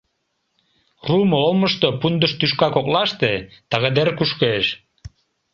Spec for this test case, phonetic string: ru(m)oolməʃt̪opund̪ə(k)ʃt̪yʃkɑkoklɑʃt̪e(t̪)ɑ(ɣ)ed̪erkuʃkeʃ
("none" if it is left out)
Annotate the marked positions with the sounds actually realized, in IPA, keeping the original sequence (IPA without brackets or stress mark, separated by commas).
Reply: m, none, t̪, ɣ